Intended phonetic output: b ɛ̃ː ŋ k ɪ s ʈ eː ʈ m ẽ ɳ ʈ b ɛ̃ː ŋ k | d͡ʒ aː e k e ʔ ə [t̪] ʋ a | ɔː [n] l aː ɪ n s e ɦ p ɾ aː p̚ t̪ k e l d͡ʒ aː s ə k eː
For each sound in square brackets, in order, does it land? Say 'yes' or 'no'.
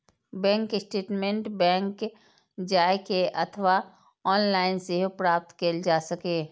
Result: no, yes

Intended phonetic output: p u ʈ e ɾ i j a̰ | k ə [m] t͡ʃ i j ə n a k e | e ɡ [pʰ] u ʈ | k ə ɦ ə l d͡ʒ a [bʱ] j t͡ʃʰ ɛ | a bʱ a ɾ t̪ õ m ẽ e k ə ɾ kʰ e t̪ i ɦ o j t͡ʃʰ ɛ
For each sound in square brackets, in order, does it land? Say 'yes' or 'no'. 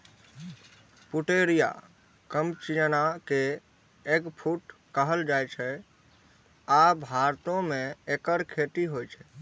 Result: yes, yes, no

